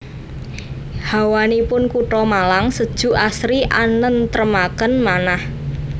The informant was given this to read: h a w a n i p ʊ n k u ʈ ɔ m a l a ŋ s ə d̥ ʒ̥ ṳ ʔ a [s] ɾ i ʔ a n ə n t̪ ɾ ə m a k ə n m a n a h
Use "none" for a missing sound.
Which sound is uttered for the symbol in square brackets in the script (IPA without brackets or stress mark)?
s